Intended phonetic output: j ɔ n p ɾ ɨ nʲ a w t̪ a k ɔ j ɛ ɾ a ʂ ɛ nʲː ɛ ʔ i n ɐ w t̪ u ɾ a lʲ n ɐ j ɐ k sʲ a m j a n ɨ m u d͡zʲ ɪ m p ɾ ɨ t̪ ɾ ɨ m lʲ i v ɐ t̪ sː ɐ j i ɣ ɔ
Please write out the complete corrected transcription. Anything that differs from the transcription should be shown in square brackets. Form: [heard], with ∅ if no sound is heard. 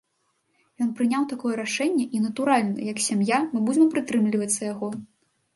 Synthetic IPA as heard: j ɔ n p ɾ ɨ nʲ a w t̪ a k ɔ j ɛ ɾ a ʂ ɛ nʲː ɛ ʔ i n ɐ [∅] t̪ u ɾ a lʲ n ɐ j ɐ k sʲ a m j a [m] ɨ [b] u d͡zʲ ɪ m p ɾ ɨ t̪ ɾ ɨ m lʲ i v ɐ t̪ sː ɐ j [a] ɣ ɔ